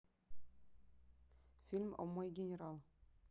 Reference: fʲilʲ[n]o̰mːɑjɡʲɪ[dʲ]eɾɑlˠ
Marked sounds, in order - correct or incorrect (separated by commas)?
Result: incorrect, incorrect